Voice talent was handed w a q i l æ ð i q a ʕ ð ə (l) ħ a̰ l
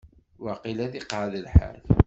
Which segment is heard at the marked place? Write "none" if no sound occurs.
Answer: l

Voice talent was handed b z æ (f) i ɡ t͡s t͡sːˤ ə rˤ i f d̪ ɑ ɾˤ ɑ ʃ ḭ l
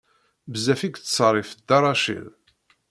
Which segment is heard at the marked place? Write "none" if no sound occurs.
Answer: f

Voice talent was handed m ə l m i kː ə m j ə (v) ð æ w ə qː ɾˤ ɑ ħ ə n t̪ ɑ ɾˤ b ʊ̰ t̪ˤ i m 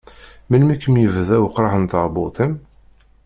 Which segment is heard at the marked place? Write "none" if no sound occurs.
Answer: v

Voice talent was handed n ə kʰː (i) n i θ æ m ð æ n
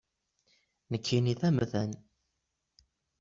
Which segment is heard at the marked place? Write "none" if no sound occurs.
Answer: i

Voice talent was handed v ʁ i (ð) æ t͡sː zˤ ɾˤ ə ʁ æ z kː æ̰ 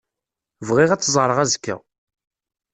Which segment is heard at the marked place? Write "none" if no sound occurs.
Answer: ʁ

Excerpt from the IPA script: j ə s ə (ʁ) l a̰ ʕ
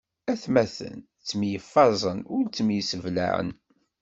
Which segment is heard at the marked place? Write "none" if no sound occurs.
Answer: v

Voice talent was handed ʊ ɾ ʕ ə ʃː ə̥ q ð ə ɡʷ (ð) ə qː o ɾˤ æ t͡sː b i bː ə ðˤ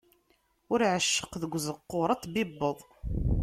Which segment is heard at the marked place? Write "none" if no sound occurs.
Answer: z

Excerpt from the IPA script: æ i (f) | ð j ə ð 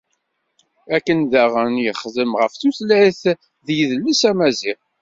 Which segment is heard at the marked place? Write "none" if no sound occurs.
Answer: θ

